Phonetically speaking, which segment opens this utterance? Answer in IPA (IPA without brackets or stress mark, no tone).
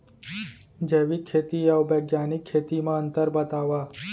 d͡ʒ